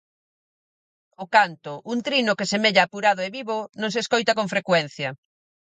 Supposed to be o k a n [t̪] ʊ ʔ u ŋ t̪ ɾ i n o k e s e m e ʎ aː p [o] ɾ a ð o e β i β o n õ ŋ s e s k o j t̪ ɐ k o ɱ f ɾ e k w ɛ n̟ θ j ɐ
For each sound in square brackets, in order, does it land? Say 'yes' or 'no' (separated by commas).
yes, no